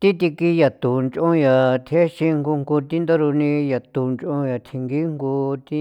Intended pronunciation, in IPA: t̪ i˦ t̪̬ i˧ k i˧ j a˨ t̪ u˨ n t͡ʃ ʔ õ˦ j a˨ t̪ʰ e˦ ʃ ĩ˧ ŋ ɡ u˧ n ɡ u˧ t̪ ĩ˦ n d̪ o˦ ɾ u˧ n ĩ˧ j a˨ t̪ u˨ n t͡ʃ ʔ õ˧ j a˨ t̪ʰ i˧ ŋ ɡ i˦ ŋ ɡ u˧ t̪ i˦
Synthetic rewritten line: t̪ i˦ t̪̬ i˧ k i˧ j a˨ t̪ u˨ n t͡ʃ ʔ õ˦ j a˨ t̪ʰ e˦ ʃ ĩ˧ ŋ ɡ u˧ ŋ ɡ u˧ t̪ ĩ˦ n d̪ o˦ ɾ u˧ n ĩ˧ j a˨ t̪ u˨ n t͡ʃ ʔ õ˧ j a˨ t̪ʰ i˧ ŋ ɡ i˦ ŋ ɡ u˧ t̪ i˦